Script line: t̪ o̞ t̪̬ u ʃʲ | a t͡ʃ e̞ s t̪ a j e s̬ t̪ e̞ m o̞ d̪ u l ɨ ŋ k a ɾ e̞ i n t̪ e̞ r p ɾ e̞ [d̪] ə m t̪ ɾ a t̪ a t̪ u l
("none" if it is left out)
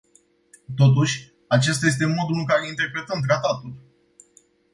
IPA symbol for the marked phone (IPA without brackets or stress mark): t̪